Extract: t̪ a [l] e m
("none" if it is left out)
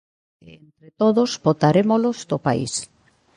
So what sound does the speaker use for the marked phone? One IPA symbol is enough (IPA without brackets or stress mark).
ɾ